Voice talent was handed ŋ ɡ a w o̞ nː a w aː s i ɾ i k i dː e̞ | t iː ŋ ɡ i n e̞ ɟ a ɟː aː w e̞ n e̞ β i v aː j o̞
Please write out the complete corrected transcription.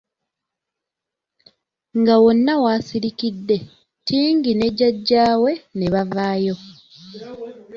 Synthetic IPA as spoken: ŋ ɡ a w o̞ nː a w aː s i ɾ i k i dː e̞ | t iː ŋ ɡ i n e̞ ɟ a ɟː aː w e̞ n e̞ β a v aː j o̞